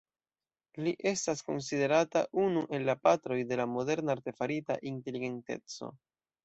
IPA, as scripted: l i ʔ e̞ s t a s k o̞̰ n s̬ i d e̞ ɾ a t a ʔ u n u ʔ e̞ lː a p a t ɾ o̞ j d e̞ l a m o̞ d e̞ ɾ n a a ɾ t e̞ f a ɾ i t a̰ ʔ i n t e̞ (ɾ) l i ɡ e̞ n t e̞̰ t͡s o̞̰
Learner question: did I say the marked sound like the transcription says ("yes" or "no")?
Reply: no